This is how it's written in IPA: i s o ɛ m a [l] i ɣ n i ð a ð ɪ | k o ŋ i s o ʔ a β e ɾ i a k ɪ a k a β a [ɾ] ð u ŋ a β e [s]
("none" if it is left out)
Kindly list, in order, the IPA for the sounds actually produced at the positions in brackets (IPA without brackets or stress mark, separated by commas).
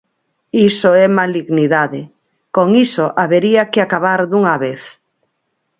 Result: l, ɾ, θ